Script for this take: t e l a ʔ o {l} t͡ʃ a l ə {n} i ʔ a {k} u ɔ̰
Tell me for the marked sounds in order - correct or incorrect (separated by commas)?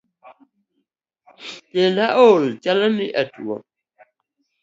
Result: correct, correct, incorrect